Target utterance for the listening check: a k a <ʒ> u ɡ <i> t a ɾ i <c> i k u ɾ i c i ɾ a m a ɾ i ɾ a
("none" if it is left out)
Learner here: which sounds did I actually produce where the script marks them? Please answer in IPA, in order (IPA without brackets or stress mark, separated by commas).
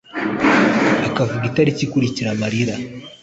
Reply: v, i, c